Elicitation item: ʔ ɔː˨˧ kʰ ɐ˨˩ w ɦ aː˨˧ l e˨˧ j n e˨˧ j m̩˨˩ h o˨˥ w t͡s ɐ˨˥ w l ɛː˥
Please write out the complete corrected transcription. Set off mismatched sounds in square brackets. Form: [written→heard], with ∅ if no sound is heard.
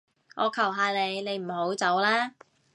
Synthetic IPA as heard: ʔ ɔː˨˧ kʰ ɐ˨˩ w ɦ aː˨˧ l e˨˧ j n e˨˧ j m̩˨˩ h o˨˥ w t͡s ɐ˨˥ w l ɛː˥